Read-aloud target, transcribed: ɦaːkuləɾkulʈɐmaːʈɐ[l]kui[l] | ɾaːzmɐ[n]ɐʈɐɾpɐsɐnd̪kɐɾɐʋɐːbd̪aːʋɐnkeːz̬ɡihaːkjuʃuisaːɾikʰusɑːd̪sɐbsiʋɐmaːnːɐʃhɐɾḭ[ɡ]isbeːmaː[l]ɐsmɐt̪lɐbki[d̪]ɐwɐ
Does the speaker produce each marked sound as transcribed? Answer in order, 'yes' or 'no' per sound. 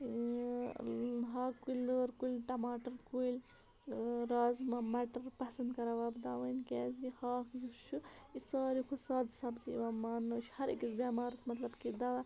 no, yes, no, no, no, yes

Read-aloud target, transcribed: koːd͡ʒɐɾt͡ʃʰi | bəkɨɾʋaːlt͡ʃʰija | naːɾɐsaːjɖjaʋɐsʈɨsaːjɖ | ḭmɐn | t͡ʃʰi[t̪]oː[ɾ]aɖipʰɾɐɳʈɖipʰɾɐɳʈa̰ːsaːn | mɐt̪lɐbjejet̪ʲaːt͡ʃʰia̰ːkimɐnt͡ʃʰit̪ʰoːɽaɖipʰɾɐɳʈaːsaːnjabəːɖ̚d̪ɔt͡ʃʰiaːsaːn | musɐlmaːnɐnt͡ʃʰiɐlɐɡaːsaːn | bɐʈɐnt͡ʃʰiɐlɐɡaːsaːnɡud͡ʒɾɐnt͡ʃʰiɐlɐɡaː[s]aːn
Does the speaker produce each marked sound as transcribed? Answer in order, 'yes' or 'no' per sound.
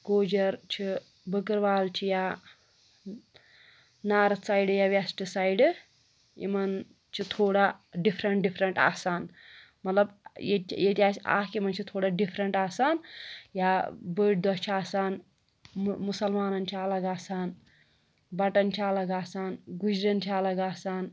no, no, yes

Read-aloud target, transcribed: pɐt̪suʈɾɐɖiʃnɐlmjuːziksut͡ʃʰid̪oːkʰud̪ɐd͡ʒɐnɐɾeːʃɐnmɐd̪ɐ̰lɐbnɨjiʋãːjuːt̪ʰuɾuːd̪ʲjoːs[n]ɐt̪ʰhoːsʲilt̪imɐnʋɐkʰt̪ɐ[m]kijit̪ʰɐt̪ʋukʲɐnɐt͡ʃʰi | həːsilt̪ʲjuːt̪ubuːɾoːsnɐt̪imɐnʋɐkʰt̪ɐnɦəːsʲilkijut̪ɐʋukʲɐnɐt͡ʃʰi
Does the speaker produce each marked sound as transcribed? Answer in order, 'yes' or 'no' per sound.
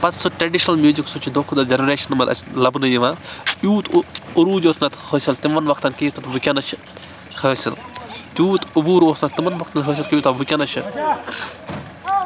yes, no

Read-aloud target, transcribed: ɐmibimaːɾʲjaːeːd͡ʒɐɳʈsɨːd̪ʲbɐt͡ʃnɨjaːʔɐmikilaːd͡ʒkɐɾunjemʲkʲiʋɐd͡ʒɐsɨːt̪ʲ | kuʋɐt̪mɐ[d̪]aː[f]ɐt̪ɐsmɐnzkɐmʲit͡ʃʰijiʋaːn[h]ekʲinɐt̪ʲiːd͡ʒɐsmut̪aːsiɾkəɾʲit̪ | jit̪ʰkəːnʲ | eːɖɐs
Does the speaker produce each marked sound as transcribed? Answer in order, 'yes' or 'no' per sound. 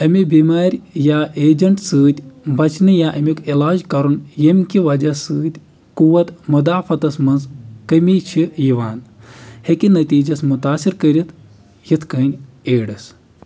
yes, yes, yes

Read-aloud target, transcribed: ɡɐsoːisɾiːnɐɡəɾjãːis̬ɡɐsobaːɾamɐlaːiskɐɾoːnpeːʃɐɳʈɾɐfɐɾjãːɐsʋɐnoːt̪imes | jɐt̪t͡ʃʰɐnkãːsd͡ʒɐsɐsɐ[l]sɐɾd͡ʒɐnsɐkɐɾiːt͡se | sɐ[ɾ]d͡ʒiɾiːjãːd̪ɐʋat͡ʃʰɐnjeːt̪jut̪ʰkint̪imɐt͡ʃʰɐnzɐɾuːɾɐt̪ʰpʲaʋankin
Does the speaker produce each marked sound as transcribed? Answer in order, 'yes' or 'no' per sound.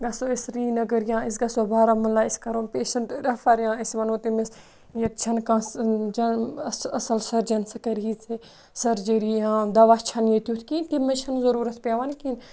yes, yes

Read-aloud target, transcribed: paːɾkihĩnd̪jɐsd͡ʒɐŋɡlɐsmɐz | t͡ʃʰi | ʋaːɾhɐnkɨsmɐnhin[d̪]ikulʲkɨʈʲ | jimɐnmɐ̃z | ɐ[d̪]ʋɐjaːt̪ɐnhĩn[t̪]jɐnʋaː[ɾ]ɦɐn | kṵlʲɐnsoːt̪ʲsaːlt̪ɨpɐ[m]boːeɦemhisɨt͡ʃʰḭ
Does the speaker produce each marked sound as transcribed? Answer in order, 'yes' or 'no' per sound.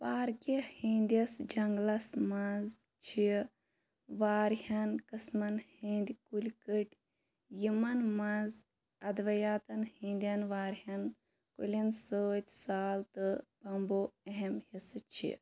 yes, yes, no, yes, yes

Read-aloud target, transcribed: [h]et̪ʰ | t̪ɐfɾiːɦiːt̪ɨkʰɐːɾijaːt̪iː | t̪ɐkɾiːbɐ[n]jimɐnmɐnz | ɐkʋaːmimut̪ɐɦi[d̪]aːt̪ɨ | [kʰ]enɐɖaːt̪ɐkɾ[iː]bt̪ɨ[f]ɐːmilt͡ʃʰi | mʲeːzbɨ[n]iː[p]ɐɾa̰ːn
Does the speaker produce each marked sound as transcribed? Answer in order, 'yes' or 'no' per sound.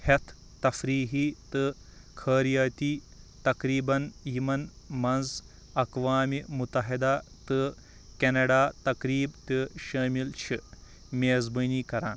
yes, yes, yes, no, yes, no, yes, no

